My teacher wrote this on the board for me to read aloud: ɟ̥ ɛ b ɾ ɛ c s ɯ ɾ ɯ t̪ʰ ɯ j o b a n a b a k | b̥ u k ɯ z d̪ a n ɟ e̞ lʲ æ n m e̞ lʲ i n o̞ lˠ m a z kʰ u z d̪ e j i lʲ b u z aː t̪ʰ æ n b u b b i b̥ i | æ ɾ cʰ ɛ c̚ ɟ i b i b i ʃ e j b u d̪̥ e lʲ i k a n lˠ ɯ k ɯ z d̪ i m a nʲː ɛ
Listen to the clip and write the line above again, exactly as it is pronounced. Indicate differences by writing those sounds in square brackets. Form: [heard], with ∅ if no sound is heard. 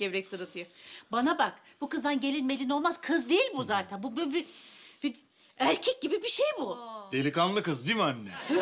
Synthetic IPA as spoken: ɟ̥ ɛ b ɾ ɛ c s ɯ ɾ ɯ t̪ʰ ɯ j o b a n a b a k | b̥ u k ɯ z d̪ a n ɟ e̞ lʲ [i] n m e̞ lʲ i n o̞ lˠ m a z kʰ [ɯ] z d̪ e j i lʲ b u z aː t̪ʰ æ n b u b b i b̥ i | æ ɾ cʰ ɛ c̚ ɟ i b i b i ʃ e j b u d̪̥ e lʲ i k a n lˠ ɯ k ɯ z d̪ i m a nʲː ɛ